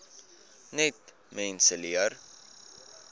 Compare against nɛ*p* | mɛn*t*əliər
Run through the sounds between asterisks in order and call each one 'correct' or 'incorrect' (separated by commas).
incorrect, incorrect